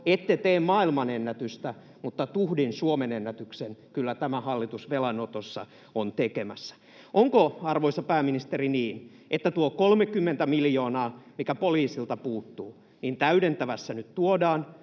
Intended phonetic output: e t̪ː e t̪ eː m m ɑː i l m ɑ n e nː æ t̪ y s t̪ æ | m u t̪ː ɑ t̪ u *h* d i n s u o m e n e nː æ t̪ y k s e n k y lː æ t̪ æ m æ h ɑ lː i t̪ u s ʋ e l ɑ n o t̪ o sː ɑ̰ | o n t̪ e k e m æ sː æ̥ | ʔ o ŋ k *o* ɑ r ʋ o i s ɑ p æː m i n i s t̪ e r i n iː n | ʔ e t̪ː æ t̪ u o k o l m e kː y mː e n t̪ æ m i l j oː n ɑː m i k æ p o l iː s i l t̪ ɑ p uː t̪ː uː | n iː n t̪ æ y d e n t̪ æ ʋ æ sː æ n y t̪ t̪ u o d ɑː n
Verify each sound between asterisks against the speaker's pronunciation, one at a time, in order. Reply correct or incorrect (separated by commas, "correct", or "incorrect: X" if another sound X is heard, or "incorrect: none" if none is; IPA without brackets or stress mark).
correct, correct